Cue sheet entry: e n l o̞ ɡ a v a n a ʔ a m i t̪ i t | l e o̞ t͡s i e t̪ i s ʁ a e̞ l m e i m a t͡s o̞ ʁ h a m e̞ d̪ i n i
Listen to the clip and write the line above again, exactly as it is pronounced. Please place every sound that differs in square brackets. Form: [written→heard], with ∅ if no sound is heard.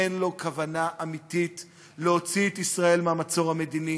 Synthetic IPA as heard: e n l o̞ [ɡ→k] a v a n a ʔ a m i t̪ i t | l e o̞ t͡s i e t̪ i s ʁ a e̞ l m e [i→a] m a t͡s o̞ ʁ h a m e̞ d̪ i n i